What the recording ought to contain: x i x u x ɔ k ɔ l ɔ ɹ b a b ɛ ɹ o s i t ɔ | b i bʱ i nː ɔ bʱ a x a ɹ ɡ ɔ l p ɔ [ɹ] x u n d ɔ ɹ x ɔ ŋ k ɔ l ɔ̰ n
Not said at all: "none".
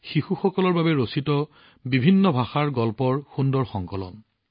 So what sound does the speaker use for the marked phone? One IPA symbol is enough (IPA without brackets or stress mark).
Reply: ɹ